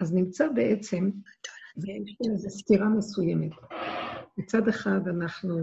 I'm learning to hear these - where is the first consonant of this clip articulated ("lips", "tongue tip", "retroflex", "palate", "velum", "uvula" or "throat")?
tongue tip